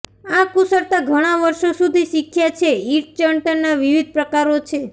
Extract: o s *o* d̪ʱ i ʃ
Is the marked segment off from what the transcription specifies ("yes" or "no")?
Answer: yes